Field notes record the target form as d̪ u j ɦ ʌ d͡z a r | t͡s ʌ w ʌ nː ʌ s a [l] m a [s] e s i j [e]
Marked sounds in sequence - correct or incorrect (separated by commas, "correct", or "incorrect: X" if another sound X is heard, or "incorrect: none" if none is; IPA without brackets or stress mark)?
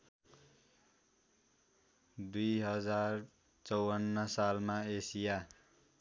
correct, incorrect: none, incorrect: a